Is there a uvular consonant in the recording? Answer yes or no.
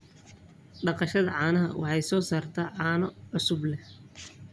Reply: yes